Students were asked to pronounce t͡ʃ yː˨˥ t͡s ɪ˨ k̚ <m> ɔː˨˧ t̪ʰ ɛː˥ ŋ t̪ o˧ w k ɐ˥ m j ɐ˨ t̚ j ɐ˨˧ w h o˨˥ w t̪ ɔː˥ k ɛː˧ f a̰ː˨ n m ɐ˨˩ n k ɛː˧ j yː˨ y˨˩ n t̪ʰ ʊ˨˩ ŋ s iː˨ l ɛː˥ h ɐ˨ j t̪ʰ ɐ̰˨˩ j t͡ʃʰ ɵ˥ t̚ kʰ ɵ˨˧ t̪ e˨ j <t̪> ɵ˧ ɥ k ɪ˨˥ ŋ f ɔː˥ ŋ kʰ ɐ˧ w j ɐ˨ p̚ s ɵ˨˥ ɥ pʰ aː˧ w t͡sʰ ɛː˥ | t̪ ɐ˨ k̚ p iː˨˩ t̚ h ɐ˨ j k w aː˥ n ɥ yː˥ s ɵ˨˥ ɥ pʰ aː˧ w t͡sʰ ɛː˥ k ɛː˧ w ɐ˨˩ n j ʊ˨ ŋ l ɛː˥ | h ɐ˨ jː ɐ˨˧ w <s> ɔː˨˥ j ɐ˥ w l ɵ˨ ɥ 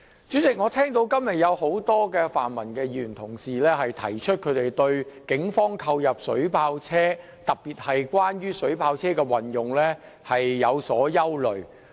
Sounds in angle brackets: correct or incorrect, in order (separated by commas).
incorrect, correct, correct